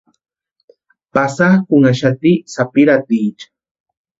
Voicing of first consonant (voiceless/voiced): voiceless